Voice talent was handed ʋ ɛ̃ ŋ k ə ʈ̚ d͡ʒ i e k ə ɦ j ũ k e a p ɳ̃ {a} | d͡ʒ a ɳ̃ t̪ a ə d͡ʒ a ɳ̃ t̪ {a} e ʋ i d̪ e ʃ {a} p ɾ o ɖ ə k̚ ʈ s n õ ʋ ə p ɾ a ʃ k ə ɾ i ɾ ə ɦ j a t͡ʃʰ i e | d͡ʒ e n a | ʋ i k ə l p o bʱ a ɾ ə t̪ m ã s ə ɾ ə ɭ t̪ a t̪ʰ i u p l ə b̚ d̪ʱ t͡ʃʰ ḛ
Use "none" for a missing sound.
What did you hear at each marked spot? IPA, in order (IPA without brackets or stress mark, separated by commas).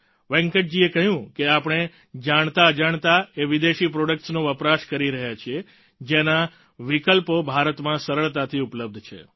e, a, i